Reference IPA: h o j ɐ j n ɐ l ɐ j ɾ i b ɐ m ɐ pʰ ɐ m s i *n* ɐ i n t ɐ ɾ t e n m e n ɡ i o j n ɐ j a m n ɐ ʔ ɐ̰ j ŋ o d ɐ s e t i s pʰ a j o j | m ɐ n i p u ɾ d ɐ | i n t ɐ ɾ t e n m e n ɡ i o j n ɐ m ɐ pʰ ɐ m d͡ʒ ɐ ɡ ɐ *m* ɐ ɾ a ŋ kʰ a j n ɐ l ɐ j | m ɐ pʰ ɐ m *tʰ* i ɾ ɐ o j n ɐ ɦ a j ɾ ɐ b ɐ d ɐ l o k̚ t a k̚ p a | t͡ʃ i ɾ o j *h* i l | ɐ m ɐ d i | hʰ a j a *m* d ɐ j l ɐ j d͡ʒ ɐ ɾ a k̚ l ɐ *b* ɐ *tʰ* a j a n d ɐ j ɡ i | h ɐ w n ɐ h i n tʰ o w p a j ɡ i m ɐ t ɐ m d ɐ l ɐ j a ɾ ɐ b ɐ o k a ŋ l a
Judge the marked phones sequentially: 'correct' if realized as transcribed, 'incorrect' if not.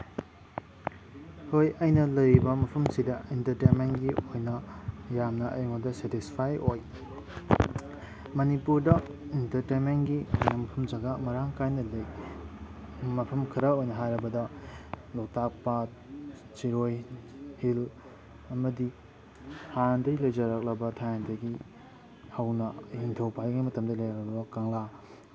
incorrect: d, correct, incorrect: kʰ, correct, incorrect: n, correct, correct

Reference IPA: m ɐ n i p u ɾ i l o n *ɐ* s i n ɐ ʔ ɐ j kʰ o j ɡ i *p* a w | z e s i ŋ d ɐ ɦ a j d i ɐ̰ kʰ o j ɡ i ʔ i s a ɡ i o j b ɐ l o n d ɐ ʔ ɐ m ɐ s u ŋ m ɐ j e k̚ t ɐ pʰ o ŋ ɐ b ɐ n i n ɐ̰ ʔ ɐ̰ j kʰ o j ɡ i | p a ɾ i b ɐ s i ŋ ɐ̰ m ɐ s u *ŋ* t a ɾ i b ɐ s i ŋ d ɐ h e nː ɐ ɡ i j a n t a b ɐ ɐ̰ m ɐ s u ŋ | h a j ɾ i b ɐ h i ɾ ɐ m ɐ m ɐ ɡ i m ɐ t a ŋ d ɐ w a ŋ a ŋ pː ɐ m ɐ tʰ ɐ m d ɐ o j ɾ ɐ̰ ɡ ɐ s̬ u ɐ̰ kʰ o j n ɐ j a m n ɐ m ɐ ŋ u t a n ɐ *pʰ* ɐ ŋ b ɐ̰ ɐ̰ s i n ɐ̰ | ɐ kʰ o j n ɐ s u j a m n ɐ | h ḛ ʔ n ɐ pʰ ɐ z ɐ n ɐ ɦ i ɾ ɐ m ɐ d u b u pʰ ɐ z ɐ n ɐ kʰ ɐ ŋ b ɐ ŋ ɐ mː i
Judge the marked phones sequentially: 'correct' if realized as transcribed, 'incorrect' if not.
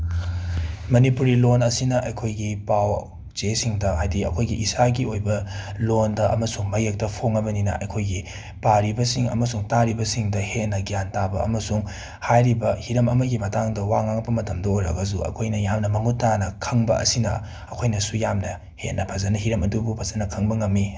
correct, correct, correct, incorrect: kʰ

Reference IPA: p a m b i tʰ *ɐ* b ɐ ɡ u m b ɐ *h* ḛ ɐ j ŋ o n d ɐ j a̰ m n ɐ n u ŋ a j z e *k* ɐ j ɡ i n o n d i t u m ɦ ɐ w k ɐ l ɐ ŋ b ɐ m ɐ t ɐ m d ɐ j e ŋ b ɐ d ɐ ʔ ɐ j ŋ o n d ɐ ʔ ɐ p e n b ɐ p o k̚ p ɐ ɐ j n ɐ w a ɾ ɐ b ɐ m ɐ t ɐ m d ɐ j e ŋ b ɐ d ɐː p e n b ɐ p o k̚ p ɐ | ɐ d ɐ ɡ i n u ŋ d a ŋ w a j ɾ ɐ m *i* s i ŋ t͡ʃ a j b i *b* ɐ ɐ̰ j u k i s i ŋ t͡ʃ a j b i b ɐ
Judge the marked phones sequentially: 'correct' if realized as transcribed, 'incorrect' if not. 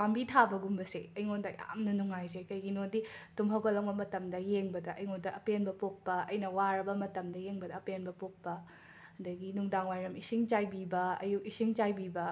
incorrect: a, incorrect: s, correct, correct, correct

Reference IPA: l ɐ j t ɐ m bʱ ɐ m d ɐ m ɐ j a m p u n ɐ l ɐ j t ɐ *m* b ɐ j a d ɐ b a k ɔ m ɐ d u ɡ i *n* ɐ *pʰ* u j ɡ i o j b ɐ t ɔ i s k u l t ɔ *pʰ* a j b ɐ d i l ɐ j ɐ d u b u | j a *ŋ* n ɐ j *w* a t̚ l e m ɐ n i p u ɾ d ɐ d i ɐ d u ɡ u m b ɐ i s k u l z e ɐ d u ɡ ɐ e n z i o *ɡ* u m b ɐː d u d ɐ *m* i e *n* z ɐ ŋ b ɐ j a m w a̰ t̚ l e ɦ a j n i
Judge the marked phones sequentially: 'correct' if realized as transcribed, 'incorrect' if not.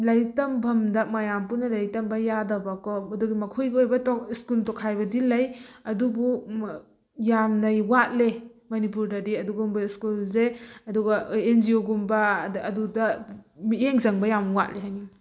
correct, incorrect: m, incorrect: kʰ, incorrect: kʰ, incorrect: m, correct, correct, correct, incorrect: ŋ

